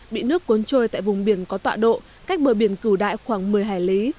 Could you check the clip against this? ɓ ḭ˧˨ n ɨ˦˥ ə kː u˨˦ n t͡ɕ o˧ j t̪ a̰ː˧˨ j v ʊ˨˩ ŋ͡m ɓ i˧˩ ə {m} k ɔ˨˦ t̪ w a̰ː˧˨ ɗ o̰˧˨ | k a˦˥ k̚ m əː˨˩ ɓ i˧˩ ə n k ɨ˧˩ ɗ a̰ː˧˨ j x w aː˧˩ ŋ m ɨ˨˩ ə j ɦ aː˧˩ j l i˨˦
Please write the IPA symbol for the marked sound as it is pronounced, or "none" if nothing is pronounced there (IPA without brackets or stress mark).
n